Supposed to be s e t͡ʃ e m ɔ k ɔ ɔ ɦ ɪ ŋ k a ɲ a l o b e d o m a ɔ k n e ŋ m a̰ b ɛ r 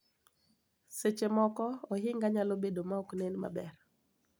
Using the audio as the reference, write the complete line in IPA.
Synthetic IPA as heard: s e t͡ʃ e m ɔ k ɔ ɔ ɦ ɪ ŋ ɡ a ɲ a l o b e d o m a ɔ k n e n m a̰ b ɛ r